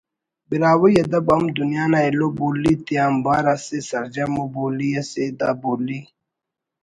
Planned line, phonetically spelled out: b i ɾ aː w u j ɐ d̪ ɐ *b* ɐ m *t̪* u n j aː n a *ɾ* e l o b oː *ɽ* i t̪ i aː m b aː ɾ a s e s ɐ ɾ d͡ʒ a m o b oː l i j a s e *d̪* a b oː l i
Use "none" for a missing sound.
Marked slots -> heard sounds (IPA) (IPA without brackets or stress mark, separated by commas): b, d̪, none, l, d̪